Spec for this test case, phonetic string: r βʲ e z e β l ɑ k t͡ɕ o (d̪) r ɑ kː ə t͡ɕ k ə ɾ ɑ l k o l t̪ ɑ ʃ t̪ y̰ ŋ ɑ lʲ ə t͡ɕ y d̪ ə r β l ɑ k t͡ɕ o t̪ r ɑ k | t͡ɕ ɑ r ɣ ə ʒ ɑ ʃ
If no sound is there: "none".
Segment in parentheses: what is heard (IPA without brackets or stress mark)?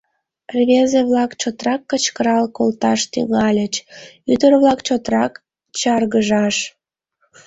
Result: t̪